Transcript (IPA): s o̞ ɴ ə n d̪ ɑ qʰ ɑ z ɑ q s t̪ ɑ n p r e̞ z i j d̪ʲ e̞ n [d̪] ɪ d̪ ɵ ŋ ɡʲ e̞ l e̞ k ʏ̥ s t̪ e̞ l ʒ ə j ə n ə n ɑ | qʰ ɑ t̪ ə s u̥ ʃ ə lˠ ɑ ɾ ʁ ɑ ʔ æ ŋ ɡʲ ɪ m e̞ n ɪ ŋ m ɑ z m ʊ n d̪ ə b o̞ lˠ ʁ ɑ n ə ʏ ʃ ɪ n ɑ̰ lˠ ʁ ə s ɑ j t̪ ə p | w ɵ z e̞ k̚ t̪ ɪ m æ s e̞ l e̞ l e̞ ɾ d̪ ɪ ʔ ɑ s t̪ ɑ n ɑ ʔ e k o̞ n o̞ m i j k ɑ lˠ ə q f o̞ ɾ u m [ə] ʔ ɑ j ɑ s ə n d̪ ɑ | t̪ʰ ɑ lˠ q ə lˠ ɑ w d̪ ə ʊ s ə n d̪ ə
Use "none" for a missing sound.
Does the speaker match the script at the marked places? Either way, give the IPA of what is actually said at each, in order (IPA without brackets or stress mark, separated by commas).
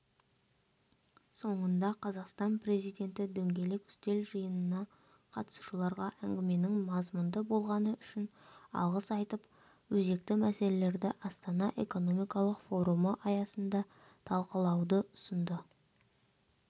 t̪, ə